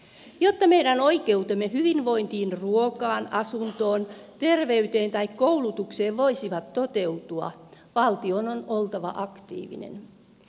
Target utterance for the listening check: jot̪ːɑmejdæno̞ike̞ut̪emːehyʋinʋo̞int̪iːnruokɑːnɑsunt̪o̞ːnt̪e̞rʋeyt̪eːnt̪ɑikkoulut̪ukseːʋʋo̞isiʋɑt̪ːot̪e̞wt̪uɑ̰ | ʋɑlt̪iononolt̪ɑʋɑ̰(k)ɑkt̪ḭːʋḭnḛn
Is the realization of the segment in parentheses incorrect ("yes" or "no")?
yes